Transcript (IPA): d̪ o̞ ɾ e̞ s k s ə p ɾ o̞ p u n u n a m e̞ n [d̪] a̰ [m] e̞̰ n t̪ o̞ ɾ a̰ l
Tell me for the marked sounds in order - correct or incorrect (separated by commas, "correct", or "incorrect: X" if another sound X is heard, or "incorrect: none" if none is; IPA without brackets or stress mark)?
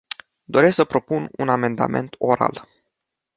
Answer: correct, correct